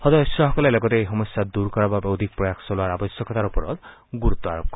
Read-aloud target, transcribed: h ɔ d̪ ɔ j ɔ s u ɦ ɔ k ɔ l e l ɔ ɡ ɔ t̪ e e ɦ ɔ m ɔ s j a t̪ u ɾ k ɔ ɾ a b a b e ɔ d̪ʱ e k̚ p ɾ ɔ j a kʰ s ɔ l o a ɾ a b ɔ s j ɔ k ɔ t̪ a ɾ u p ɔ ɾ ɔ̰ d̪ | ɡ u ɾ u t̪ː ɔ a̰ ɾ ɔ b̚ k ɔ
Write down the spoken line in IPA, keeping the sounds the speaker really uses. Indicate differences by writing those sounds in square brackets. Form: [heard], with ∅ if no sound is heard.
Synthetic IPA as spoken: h ɔ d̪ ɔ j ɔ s [ɔ] ɦ ɔ k ɔ l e l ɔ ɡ ɔ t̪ e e ɦ ɔ m ɔ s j a [d̪] u ɾ k ɔ ɾ a b a b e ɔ d̪ʱ [i] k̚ p ɾ ɔ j a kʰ s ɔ l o a ɾ a b ɔ s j ɔ k ɔ t̪ a ɾ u p ɔ ɾ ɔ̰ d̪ | ɡ u ɾ u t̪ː ɔ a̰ ɾ ɔ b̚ k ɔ